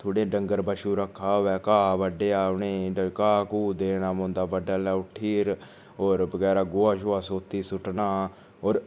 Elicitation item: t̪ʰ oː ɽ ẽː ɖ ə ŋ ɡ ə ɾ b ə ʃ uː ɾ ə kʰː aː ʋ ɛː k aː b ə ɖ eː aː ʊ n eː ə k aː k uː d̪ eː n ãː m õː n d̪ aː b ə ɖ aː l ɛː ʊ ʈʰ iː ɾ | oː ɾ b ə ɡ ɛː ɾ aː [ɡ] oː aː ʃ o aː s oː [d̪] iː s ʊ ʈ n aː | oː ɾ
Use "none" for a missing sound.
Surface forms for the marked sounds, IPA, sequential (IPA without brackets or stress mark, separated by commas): ɡ, t̪